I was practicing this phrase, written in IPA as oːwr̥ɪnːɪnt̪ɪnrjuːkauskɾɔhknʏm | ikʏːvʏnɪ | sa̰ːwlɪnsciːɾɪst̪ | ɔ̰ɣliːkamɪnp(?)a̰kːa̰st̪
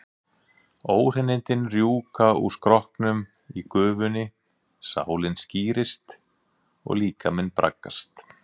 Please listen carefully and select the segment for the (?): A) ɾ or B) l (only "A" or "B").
A